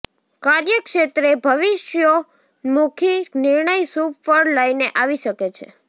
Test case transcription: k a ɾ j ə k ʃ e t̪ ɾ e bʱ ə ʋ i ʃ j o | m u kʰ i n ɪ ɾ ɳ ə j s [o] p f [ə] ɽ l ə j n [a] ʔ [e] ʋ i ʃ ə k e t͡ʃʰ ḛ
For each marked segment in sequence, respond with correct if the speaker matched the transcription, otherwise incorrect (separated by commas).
incorrect, correct, incorrect, incorrect